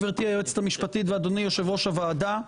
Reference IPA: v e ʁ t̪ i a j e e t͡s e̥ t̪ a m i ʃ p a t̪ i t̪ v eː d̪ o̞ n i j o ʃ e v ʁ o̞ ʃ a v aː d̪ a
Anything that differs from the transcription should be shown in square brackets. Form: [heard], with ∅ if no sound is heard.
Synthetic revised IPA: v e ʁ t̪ i a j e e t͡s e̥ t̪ a m i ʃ p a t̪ i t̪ v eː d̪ o̞ n i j o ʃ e v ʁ o̞ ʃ a v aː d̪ a